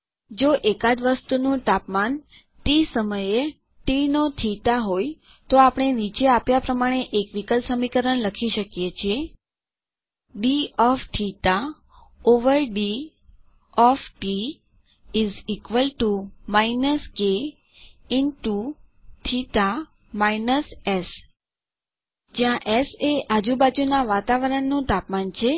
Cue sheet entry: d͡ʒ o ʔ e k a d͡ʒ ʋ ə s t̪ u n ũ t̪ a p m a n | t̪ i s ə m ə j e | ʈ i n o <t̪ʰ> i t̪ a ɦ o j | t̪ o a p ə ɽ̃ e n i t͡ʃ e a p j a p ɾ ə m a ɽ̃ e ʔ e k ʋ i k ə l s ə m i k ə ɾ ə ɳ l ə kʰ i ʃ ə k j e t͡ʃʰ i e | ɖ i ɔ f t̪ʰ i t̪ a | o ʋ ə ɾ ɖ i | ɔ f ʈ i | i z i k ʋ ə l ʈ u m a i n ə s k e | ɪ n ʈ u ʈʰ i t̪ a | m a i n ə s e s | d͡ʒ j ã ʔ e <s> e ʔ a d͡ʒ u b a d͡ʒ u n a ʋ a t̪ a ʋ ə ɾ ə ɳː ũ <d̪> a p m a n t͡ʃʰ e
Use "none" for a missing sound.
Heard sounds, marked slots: t̪ʰ, s, t̪

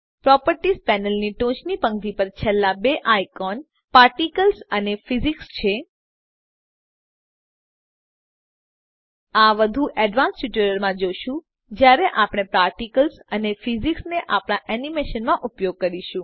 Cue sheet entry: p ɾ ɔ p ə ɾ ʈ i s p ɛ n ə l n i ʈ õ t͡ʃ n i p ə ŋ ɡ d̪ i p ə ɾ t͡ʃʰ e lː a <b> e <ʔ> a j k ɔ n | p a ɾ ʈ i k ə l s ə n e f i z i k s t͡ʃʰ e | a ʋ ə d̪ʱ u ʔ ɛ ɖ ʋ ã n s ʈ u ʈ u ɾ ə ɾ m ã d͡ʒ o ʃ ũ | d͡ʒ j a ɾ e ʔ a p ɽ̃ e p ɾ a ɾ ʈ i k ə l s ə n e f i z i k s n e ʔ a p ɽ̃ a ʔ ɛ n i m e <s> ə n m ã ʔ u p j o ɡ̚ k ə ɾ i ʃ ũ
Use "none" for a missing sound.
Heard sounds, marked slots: b, ʔ, ʃ

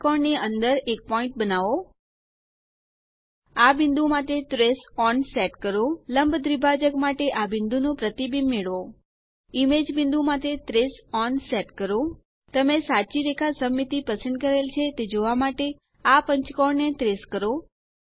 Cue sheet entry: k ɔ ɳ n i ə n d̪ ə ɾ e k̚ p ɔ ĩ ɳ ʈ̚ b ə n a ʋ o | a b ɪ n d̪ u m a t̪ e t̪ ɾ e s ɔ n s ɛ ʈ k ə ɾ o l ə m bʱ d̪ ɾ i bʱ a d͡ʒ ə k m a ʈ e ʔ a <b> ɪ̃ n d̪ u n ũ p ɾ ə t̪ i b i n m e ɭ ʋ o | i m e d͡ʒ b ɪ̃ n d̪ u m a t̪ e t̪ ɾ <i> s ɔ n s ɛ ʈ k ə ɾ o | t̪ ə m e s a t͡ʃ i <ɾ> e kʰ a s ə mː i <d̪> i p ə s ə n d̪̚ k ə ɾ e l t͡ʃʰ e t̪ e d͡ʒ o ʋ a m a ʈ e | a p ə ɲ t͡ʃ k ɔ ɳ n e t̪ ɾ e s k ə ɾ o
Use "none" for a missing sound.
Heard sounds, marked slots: b, e, ɾ, t̪

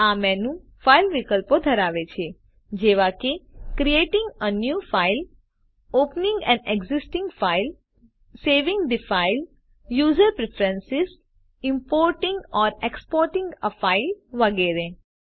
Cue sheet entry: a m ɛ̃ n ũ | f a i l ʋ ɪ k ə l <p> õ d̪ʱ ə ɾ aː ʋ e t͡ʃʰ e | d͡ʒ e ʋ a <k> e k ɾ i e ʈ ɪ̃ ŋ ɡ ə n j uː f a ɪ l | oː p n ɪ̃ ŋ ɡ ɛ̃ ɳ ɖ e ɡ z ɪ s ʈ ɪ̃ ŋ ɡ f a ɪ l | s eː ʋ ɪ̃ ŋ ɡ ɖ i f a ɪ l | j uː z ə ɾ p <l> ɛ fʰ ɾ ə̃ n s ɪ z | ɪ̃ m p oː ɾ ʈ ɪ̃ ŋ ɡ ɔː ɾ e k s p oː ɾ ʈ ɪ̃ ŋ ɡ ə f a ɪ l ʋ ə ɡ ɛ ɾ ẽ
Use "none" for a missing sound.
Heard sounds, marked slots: p, k, ɾ

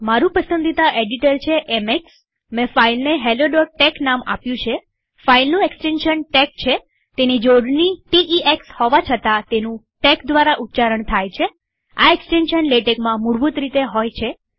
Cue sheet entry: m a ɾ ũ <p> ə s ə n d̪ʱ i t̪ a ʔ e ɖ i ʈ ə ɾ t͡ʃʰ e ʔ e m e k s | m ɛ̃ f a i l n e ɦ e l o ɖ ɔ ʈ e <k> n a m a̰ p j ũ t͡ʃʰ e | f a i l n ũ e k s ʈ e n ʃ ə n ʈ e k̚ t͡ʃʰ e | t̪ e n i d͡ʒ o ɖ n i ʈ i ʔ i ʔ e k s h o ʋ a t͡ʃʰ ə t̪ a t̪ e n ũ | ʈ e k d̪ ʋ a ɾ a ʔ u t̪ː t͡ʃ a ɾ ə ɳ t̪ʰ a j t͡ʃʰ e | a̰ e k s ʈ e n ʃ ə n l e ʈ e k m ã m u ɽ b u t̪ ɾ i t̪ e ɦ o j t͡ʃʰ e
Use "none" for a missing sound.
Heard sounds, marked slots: p, k

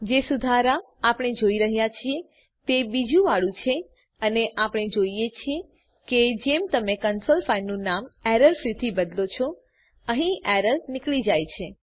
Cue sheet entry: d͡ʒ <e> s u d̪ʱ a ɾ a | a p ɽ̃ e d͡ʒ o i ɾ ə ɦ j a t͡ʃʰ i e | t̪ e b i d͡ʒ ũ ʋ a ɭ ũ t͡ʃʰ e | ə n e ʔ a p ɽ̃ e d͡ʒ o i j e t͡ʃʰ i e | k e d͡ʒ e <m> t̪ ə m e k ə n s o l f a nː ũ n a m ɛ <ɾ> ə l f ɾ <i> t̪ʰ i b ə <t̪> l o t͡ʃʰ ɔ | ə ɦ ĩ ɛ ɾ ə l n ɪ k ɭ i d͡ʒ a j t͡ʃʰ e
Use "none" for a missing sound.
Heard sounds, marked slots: e, m, ɾ, i, d̪

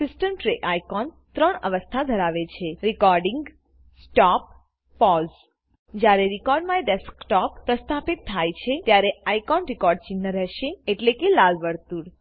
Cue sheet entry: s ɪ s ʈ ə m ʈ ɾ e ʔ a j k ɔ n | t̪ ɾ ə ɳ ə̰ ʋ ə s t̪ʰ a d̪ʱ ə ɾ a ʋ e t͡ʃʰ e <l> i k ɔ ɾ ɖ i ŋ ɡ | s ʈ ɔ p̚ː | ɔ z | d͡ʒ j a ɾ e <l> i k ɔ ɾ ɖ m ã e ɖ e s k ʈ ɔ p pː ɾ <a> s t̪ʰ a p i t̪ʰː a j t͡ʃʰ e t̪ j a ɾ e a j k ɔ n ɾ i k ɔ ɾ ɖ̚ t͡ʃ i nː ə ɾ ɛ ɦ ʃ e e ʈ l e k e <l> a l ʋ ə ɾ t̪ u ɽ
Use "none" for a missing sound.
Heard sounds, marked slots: ɾ, ɾ, ə, l

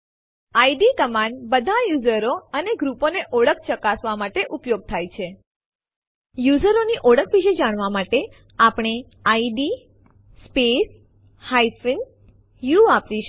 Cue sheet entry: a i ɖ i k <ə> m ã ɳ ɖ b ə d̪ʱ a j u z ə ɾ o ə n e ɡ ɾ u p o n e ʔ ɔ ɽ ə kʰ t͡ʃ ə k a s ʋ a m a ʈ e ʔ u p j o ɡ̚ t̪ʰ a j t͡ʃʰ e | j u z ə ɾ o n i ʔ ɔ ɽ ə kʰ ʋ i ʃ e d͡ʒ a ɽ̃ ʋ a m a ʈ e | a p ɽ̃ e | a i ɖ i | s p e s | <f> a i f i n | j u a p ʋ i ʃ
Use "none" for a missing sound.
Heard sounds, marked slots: ə, h

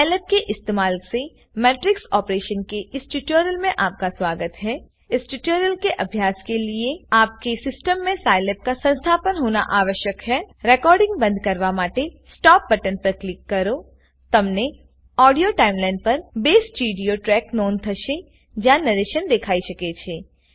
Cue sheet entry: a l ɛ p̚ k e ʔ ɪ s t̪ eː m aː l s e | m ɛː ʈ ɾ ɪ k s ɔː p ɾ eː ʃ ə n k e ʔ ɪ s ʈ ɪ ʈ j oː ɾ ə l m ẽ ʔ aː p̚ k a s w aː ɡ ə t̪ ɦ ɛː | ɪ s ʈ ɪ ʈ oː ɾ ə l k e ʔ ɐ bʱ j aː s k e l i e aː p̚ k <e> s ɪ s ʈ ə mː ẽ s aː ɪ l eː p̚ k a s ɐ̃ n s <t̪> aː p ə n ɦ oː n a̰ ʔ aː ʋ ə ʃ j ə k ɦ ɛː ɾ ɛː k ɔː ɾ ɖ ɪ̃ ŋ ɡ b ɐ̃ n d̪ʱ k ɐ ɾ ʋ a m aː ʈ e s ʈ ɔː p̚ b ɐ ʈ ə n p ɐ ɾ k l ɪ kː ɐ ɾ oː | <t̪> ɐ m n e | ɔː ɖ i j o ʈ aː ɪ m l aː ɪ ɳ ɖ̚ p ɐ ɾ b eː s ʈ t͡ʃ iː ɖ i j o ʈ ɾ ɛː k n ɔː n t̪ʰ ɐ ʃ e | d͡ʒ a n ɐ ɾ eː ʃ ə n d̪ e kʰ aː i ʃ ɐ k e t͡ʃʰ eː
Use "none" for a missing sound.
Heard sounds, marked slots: e, t̪ʰ, t̪

